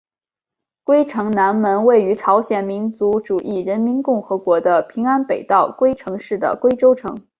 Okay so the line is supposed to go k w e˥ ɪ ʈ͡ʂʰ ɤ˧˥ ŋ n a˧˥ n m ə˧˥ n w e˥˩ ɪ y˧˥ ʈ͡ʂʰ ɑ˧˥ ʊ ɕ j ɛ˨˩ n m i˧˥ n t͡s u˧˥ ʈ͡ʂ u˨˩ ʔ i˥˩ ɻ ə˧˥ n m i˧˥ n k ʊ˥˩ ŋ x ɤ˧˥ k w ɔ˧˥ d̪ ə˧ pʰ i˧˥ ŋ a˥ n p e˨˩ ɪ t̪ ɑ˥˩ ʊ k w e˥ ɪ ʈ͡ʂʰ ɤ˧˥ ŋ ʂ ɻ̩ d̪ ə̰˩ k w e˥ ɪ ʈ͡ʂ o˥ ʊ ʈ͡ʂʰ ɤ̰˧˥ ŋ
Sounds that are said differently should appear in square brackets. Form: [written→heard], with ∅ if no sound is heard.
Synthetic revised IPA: k w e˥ ɪ ʈ͡ʂʰ ɤ˧˥ ŋ n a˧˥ n m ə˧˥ n w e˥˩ ɪ y˧˥ ʈ͡ʂʰ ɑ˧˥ ʊ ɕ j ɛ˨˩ n m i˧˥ n t͡s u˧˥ ʈ͡ʂ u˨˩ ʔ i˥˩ ɻ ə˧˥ n m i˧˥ n k ʊ˥˩ ŋ x ɤ˧˥ k w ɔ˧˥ d̪ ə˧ pʰ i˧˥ ŋ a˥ n p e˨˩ ɪ t̪ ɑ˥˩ ʊ k w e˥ ɪ ʈ͡ʂʰ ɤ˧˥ ŋ ʂ ɻ̩ d̪ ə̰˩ k w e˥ ɪ ʈ͡ʂ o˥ ʊ ʈ͡ʂʰ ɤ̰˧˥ ŋ